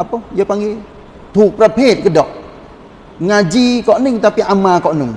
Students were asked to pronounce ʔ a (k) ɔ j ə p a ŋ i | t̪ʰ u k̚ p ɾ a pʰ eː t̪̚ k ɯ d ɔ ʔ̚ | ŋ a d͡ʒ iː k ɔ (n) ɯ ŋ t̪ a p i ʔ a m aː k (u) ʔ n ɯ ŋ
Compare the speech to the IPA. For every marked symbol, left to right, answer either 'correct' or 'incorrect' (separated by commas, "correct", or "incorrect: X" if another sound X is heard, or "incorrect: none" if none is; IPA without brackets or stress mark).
incorrect: p, correct, incorrect: ɔ